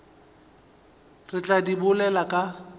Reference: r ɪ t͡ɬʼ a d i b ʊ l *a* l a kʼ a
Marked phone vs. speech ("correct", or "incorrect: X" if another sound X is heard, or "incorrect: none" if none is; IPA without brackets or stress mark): incorrect: ɛ